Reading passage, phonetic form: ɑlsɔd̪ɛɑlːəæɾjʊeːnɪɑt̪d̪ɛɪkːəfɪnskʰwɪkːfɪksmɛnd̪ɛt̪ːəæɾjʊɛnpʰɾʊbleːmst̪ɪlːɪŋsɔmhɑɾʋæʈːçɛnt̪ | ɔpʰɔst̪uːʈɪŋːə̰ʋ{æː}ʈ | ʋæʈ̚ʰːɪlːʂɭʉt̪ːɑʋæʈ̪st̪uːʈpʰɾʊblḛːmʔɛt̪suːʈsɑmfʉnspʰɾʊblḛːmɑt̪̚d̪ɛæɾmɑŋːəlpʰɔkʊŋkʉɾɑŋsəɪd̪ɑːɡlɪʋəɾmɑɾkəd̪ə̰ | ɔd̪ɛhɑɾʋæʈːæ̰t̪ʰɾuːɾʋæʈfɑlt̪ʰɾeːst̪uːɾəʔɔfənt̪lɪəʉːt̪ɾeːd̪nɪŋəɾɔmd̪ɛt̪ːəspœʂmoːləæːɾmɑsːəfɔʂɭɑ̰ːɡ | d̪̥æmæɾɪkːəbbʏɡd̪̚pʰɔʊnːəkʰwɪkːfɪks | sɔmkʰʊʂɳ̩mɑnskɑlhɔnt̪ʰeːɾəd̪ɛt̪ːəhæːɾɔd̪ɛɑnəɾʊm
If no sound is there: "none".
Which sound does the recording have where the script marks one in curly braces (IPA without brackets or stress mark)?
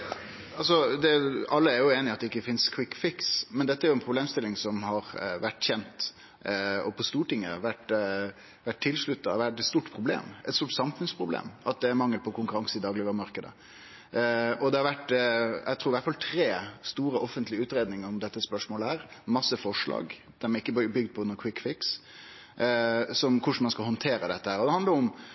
æ